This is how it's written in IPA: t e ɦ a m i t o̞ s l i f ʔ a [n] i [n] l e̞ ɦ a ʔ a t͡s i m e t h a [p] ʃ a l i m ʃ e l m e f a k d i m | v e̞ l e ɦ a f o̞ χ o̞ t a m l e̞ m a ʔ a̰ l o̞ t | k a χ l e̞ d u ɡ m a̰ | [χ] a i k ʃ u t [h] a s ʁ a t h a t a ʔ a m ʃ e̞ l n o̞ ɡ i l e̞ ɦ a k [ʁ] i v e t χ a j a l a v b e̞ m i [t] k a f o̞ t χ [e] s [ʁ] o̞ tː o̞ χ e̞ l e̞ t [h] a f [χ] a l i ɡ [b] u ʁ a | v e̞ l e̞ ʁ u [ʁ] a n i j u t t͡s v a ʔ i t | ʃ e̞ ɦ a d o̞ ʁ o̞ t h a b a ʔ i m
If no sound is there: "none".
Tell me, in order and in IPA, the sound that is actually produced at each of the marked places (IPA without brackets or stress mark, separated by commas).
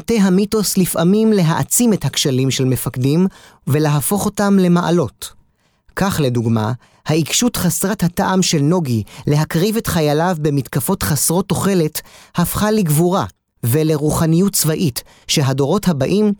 m, m, k, h, χ, ʁ, t, a, ʁ, h, χ, v, χ